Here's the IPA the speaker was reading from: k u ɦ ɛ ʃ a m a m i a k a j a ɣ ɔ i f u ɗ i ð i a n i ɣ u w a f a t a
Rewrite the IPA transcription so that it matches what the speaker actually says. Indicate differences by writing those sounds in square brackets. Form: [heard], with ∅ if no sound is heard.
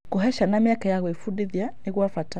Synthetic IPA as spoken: k u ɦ ɛ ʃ a [n] a m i a k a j a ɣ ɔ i f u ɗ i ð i a n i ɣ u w a f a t a